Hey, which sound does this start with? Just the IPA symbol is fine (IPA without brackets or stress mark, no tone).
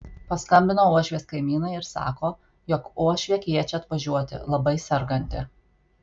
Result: p